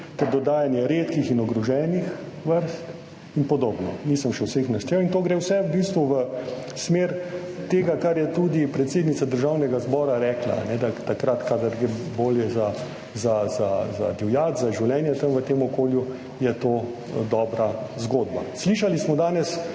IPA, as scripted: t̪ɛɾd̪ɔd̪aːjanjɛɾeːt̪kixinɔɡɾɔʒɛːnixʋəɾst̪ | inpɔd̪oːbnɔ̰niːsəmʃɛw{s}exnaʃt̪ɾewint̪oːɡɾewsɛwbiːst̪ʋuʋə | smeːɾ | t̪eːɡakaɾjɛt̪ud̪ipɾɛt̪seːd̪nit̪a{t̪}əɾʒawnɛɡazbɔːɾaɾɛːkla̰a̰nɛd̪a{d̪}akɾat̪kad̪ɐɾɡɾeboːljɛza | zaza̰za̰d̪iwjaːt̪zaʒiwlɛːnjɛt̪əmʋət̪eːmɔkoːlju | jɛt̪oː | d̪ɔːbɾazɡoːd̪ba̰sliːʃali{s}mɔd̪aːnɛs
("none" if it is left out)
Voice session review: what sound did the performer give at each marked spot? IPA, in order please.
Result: s, d̪, t̪, s

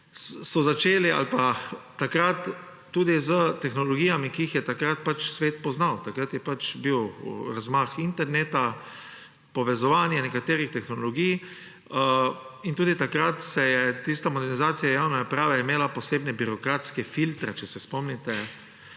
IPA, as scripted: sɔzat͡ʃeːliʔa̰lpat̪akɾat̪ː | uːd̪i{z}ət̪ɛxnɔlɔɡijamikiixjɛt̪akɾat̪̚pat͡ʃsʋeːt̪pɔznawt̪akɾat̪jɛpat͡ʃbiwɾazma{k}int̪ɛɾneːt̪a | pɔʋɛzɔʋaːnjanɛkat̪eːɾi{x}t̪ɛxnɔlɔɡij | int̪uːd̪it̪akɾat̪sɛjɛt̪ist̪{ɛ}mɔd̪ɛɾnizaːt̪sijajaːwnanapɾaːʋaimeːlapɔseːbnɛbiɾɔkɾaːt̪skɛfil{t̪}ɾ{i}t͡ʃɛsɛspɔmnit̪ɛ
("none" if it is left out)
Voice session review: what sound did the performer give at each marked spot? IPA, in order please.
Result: z, x, x, a, t̪, ɛ

